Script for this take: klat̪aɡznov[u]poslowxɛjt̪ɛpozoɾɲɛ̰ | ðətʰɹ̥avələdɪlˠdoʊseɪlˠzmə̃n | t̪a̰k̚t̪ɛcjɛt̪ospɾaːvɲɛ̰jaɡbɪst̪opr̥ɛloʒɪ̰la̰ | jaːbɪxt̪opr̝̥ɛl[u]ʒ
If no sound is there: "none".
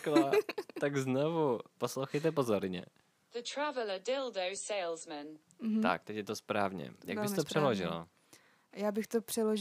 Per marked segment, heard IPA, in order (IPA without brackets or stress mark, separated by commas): u, o